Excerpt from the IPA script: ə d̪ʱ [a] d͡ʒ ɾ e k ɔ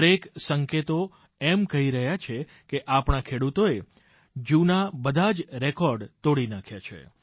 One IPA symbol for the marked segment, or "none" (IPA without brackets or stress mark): a